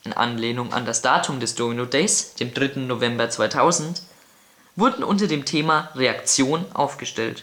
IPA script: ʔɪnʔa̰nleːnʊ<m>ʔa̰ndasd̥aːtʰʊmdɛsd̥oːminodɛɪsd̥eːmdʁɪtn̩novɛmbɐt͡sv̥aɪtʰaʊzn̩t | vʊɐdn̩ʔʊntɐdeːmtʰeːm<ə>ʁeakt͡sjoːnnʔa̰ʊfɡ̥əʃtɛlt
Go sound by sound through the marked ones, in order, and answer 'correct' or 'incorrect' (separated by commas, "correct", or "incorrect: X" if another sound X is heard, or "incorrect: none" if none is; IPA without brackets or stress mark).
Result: incorrect: ŋ, incorrect: a